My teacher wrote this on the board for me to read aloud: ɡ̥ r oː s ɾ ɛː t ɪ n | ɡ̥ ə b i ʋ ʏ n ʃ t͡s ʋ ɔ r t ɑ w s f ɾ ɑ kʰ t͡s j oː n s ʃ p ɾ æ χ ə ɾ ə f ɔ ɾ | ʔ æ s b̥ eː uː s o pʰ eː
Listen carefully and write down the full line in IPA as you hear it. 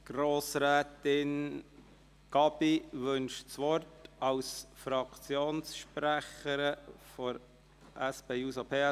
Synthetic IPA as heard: ɡ̥ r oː s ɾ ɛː t ɪ n | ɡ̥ ɑ b i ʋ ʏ n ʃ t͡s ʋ ɔ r t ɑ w s f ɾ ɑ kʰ t͡s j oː n s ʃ p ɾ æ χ ə ɾ ə f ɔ ɾ | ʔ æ s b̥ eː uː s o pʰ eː